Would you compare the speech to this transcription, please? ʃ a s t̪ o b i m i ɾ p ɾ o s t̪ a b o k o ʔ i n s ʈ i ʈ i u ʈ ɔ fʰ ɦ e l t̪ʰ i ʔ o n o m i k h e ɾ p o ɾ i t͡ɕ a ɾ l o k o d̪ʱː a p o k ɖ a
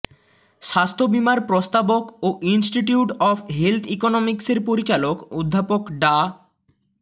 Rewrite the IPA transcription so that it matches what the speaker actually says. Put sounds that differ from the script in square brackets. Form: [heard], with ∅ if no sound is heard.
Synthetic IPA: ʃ a s [t̪ʰ] o b i m [a] ɾ p ɾ o s t̪ a b o k o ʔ i n s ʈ i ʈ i u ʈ ɔ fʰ ɦ e l t̪ʰ i [k] o n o m i k [s] e ɾ p o ɾ i t͡ɕ a [∅] l o k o d̪ʱː a p o k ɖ a